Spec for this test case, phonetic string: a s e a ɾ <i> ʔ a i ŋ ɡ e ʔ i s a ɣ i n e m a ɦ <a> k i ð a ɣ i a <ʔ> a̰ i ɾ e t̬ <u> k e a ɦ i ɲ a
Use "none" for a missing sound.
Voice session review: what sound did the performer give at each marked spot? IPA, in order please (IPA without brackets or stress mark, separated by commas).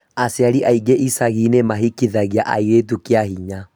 i, i, ʔ, u